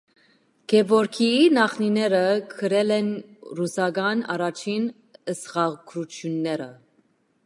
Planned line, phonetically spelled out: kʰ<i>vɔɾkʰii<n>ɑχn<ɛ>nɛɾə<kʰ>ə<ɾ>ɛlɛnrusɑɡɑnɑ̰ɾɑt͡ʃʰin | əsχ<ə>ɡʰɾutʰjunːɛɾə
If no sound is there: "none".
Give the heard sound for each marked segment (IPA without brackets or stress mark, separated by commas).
ɛ, n, i, kʰ, ɾ, ɑ